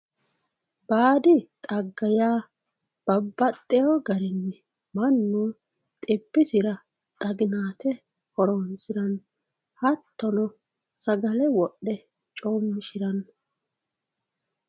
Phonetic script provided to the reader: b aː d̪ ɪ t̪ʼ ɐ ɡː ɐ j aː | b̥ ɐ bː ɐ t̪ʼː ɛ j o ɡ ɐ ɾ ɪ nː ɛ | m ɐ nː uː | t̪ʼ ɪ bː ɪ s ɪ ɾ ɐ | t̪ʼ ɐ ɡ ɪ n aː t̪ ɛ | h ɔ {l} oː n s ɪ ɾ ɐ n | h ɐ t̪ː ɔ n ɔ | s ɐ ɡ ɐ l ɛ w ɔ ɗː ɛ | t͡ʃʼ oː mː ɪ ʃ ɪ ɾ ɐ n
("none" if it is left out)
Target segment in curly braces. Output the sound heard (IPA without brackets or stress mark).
ɾ